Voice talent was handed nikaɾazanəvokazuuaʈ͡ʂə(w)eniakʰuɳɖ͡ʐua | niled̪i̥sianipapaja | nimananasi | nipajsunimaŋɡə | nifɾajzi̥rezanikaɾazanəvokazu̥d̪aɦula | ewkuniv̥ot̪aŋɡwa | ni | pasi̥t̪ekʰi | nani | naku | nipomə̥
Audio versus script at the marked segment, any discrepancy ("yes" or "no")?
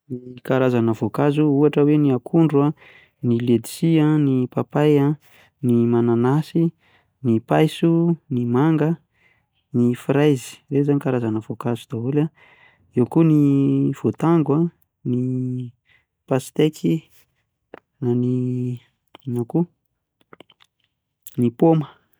no